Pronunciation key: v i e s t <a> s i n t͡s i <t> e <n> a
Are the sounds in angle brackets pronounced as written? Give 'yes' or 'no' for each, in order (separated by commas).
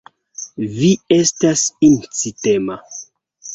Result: yes, yes, no